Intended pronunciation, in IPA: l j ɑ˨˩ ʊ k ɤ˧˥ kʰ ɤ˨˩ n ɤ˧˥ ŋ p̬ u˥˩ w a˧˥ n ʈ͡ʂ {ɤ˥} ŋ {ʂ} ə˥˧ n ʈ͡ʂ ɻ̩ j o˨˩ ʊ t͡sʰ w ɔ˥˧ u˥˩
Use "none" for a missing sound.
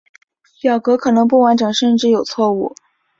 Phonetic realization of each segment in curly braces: ɤ˨˩, ʂ

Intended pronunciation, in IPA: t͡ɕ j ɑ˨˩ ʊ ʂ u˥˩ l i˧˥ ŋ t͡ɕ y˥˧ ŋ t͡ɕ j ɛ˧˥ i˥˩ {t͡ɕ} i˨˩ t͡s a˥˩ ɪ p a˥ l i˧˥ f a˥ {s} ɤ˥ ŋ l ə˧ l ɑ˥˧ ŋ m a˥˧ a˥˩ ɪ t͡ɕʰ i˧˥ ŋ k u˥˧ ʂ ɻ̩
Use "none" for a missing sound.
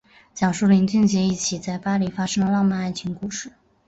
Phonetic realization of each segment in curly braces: t͡ɕʰ, ʂ

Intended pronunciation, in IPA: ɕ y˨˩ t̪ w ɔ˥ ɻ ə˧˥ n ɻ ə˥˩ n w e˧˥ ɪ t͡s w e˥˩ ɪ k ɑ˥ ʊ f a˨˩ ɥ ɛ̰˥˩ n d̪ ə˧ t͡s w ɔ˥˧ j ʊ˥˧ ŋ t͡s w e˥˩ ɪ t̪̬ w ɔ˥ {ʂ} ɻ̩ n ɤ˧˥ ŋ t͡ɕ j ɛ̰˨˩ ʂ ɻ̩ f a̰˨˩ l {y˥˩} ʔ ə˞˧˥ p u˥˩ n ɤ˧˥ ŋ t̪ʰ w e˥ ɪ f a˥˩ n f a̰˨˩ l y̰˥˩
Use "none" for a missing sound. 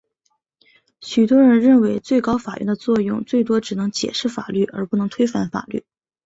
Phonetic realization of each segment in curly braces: ʈ͡ʂ, y˥˩

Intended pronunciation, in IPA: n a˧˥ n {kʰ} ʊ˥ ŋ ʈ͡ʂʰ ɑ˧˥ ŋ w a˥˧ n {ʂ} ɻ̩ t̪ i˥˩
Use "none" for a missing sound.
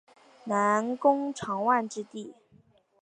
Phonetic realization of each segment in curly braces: k, ʈ͡ʂ

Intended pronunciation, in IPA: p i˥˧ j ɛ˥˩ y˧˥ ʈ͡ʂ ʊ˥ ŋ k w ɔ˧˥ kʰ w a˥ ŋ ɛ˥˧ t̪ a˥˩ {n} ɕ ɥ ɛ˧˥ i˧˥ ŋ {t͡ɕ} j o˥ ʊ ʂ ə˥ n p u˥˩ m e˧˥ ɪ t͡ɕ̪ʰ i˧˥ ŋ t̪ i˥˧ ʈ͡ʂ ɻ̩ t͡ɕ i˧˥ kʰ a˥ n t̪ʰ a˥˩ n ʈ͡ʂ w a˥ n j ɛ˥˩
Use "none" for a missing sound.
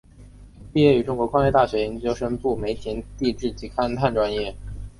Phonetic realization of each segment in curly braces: none, t͡ɕ

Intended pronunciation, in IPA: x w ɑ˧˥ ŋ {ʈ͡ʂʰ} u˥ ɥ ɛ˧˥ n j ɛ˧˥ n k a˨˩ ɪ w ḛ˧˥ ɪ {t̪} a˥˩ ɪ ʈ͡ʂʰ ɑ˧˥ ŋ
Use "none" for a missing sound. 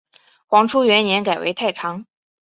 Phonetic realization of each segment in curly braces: ʈ͡ʂʰ, t̪ʰ

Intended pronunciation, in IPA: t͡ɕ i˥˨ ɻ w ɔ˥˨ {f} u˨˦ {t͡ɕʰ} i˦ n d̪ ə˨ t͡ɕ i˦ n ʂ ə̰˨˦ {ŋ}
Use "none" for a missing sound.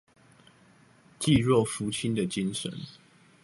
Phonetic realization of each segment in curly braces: f, t͡ɕʰ, n

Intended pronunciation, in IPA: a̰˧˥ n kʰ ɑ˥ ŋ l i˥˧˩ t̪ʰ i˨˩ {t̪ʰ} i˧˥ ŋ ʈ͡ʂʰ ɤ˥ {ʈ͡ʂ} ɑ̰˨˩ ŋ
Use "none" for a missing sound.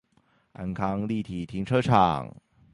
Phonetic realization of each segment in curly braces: t̪ʰ, ʈ͡ʂʰ

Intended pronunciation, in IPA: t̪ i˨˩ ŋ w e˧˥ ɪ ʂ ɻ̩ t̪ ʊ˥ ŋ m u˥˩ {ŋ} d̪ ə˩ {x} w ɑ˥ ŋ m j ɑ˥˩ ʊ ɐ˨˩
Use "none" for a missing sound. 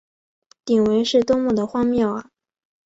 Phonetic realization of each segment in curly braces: none, x

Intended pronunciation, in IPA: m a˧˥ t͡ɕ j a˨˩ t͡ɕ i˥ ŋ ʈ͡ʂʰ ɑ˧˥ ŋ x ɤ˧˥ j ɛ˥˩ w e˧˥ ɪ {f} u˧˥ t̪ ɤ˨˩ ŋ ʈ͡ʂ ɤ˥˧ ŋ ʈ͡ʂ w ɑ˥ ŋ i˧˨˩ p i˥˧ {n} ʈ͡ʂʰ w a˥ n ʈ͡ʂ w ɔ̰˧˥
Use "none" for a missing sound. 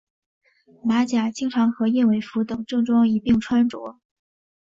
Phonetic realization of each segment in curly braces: f, ŋ

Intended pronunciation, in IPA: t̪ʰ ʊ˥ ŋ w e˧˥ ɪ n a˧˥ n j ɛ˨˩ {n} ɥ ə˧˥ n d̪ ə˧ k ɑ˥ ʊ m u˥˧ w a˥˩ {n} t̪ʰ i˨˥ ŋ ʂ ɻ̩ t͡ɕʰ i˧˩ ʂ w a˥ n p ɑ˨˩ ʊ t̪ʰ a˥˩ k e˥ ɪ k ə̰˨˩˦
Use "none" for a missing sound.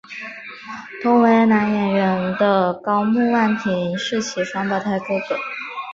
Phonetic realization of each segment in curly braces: n, n

